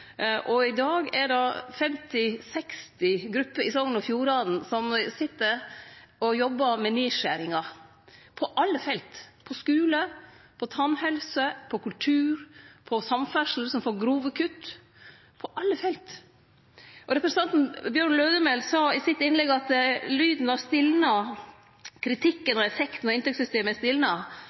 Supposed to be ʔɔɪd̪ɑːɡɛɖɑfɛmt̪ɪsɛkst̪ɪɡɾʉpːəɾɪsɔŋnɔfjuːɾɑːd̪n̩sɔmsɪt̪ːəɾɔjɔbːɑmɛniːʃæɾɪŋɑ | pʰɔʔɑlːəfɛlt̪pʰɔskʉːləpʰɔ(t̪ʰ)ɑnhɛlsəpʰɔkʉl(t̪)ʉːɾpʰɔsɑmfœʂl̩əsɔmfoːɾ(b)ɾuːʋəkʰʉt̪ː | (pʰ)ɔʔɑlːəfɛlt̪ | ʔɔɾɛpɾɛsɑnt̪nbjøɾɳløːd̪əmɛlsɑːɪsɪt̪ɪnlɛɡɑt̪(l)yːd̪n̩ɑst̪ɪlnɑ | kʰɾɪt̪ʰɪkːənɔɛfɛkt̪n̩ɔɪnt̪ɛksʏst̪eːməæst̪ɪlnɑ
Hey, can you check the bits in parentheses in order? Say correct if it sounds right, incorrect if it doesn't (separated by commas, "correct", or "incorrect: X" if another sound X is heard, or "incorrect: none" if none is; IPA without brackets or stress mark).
correct, incorrect: t̪ʰ, incorrect: ɡ, correct, correct